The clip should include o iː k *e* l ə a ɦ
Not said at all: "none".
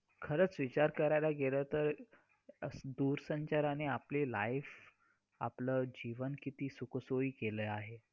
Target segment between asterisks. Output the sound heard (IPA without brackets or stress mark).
e